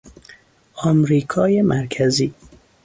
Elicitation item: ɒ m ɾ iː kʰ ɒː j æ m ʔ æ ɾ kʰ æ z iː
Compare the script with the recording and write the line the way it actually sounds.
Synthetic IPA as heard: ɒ m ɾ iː kʰ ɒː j e m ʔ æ ɾ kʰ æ z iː